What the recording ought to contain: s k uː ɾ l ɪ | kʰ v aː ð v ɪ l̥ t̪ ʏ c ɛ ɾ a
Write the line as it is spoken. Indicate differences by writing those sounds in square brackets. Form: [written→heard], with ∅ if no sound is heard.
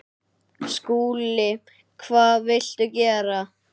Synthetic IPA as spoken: s k uː [ɾ→∅] l ɪ | kʰ v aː ð v ɪ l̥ t̪ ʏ c [ɛ→ɛː] ɾ a